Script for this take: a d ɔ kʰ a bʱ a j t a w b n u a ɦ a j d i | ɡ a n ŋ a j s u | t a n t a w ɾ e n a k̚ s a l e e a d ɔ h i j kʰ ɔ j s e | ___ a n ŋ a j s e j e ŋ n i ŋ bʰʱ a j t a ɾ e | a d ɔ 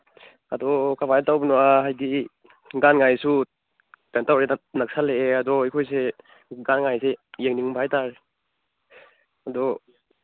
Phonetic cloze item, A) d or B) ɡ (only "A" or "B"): B